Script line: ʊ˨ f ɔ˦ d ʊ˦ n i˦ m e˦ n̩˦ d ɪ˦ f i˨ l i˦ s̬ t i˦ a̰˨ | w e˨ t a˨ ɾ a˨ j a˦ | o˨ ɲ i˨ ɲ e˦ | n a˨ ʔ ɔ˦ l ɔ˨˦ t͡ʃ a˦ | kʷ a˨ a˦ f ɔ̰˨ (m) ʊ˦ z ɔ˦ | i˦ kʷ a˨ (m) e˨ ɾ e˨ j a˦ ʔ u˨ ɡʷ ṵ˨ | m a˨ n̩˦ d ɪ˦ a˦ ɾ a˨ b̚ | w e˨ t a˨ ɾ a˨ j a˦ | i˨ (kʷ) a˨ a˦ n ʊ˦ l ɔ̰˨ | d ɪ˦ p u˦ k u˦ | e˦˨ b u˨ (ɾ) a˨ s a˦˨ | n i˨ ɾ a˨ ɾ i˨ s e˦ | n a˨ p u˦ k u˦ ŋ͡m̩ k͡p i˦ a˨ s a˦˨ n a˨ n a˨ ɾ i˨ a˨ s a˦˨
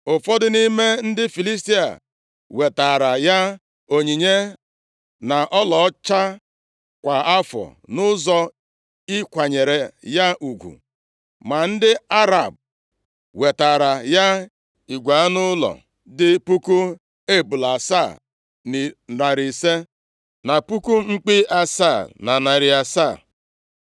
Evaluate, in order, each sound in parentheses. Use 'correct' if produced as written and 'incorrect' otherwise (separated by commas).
incorrect, incorrect, incorrect, incorrect